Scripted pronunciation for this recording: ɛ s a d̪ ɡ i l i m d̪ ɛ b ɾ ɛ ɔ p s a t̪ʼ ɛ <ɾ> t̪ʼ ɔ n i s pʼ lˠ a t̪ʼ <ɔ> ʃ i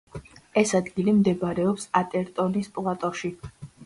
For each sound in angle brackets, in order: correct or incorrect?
correct, correct

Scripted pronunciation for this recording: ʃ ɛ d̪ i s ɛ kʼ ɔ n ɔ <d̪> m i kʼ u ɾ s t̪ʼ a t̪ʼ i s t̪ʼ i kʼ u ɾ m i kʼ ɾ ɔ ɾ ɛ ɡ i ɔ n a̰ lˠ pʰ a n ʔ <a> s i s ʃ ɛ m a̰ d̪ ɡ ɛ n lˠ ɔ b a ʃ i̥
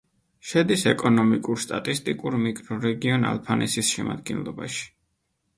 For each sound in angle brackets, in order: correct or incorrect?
incorrect, incorrect

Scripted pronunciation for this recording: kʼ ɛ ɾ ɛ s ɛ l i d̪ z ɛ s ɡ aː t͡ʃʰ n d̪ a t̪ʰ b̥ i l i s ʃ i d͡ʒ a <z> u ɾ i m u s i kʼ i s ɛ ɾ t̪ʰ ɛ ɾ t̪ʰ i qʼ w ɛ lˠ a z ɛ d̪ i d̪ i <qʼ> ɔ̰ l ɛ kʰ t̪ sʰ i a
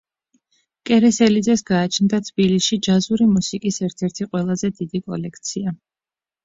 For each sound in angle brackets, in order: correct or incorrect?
correct, incorrect

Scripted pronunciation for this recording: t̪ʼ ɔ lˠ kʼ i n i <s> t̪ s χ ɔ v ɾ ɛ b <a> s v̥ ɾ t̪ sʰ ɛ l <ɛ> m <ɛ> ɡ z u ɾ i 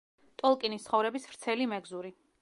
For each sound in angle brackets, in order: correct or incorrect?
correct, incorrect, incorrect, correct

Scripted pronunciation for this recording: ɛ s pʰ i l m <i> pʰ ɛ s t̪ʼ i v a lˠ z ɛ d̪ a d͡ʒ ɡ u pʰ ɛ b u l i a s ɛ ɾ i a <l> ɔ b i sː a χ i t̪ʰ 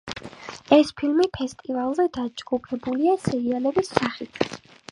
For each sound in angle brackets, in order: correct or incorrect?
correct, correct

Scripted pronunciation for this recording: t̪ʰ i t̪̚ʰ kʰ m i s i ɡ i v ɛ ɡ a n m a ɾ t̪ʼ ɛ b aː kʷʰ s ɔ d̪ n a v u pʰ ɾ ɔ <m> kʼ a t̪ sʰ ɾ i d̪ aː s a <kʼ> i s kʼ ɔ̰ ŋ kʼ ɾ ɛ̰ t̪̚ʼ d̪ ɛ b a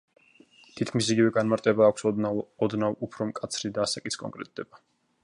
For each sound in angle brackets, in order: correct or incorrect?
correct, correct

